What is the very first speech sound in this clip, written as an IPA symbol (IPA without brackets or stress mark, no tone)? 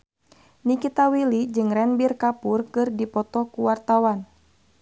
n